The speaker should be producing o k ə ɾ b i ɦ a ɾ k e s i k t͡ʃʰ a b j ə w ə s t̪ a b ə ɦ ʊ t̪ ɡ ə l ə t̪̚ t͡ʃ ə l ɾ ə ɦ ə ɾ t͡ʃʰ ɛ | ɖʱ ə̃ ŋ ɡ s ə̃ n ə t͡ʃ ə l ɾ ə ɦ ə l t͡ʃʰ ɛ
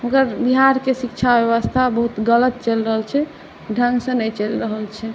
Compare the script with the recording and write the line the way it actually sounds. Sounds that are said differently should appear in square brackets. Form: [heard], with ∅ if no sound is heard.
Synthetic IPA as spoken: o k ə ɾ b i ɦ a ɾ k e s i k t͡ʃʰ a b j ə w ə s [t̪ʰ] a b ə ɦ [u] t̪ ɡ ə l ə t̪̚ t͡ʃ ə l ɾ ə ɦ ə [l] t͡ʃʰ ɛ | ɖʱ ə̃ ŋ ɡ s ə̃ n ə t͡ʃ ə l ɾ ə ɦ ə l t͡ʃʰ ɛ